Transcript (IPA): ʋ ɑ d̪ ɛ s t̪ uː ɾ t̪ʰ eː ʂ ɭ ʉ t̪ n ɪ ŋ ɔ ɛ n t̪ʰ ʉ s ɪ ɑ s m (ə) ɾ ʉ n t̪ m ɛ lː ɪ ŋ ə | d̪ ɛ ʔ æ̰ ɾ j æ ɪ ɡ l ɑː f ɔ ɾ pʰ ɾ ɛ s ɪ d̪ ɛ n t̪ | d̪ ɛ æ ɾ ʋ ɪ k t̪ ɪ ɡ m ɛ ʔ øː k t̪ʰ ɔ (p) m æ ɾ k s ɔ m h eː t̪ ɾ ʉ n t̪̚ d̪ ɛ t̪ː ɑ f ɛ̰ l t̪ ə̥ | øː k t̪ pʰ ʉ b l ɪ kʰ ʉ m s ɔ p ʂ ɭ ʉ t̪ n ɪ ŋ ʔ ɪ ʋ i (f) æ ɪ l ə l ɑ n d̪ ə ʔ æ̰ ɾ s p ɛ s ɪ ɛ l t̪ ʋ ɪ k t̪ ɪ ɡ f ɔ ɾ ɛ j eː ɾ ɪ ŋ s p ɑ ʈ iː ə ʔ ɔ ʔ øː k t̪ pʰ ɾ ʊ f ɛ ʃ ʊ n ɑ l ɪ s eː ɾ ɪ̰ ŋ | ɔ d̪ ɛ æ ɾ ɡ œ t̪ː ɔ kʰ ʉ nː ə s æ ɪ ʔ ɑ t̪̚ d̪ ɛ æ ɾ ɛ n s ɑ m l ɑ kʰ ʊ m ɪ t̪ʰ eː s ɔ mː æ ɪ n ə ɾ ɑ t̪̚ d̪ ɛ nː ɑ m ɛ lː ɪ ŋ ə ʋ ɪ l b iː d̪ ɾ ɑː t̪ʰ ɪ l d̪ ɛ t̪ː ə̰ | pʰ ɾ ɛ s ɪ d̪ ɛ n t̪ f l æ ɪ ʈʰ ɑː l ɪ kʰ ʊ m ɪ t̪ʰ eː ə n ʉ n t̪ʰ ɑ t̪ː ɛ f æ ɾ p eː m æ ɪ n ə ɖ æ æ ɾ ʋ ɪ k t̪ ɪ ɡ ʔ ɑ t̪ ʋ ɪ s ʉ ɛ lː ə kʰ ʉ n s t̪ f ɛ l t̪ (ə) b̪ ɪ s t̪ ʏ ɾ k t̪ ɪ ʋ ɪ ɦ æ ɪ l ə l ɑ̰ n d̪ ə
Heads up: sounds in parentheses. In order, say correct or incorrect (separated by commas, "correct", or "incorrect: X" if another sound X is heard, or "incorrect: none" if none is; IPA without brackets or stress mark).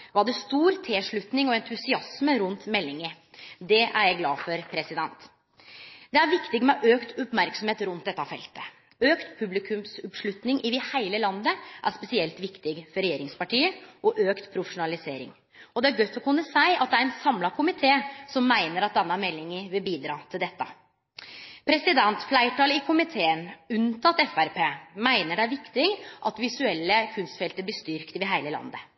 correct, correct, incorrect: h, correct